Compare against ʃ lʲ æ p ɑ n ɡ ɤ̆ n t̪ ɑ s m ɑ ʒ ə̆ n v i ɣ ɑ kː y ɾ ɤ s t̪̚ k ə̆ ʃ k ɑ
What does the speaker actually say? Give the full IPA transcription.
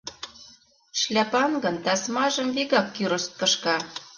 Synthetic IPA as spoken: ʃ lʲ æ p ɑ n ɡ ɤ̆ n t̪ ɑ s m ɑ ʒ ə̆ m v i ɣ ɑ kː y ɾ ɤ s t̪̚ k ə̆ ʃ k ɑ